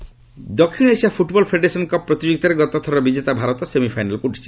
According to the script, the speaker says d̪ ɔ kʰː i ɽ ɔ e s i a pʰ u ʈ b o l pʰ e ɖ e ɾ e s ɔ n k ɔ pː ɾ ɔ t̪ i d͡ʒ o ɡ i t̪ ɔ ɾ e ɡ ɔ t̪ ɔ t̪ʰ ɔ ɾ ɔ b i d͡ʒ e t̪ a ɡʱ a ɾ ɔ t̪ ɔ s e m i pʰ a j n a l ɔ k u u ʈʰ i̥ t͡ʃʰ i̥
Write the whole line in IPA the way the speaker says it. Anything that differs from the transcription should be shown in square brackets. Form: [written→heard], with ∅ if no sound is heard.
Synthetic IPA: d̪ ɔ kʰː i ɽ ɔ e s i a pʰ u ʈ b [o→ɔ] l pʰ e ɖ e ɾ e s ɔ n k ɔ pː ɾ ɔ t̪ i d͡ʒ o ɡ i t̪ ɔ ɾ e ɡ ɔ t̪ ɔ t̪ʰ ɔ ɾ ɔ b i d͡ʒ e t̪ a [ɡʱ→bʱ] a ɾ ɔ t̪ ɔ s e m i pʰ a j n a l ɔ k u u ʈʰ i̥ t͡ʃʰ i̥